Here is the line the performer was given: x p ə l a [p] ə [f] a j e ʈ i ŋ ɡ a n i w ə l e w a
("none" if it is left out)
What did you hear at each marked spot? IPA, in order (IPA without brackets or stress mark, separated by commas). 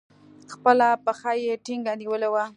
p, x